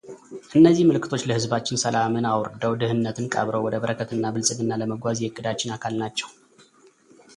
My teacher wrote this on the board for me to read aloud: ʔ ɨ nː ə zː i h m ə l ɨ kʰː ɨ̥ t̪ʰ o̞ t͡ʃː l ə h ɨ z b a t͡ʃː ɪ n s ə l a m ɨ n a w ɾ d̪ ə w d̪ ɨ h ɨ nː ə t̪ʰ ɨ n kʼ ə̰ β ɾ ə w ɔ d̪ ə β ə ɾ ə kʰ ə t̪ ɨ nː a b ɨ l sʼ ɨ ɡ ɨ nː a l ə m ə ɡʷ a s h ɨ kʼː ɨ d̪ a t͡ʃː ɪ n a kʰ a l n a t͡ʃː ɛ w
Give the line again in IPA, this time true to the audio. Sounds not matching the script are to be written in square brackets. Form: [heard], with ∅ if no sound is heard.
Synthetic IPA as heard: ʔ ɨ nː ə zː i h m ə l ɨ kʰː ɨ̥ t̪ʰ o̞ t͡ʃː l ə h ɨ z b a t͡ʃː ɪ n s ə l a m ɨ n a w ɾ d̪ ə w d̪ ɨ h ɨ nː ə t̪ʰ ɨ n kʼ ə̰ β ɾ ə w ɔ d̪ ə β ə ɾ ə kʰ ə t̪ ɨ nː a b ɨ l sʼ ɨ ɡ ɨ nː a l ə m ə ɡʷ a [z] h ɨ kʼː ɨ d̪ a t͡ʃː ɪ n a kʰ a l n a t͡ʃː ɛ w

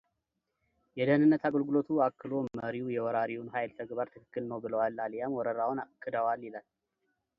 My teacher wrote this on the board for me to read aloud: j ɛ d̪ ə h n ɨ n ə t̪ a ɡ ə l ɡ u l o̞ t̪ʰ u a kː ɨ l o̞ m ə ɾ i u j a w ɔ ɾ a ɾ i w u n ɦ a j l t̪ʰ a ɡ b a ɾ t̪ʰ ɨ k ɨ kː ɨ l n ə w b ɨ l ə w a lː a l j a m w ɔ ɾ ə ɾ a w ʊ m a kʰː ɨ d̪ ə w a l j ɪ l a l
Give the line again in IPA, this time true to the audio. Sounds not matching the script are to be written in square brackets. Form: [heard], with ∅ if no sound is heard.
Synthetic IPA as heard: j ɛ d̪ ə h n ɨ [nː] ə t̪ a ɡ ə l ɡ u l o̞ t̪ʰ u a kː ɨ l o̞ m ə ɾ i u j [ɛ] w ɔ ɾ a ɾ i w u n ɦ a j l t̪ʰ [ə] ɡ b a ɾ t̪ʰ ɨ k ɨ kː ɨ l n ə w b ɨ l ə w a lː a l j a m w ɔ ɾ ə ɾ a w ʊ [n] a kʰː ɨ d̪ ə w a l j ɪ l a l

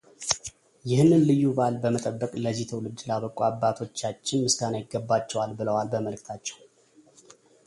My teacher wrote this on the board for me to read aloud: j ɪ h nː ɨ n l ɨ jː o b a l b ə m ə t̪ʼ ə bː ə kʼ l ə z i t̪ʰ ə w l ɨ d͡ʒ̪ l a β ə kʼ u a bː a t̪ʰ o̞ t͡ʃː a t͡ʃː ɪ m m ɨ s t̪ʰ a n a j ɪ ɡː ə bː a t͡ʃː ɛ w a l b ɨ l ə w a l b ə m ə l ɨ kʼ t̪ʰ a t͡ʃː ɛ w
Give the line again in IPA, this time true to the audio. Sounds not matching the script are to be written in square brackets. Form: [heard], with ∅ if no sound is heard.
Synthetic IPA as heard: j ɪ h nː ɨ n l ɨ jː [u] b a l b ə m ə t̪ʼ ə bː ə kʼ l ə z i t̪ʰ ə w l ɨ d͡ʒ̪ l a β ə kʼ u a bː a t̪ʰ o̞ t͡ʃː a t͡ʃː ɪ [n] m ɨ s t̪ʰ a n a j ɪ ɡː ə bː a t͡ʃː ɛ w a l b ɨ l ə w a l b ə m ə l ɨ [k] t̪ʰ a t͡ʃː ɛ w

